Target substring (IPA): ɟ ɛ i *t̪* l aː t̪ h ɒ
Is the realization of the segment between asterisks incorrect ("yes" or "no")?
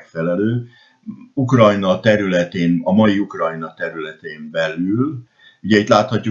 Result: no